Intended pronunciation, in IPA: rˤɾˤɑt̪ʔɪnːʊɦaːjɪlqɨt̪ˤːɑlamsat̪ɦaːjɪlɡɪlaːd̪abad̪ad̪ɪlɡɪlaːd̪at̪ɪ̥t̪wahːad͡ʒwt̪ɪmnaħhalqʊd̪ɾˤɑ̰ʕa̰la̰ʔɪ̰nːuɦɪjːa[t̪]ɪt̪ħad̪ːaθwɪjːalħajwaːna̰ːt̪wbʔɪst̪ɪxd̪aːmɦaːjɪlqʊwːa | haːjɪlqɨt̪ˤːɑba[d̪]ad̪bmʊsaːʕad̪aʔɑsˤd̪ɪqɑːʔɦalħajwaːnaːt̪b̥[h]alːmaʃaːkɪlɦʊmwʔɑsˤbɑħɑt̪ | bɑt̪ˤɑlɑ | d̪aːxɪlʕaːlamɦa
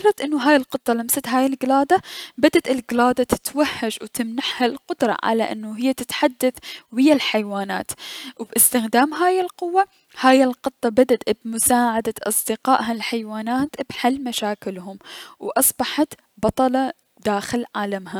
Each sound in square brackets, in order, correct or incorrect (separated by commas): correct, correct, incorrect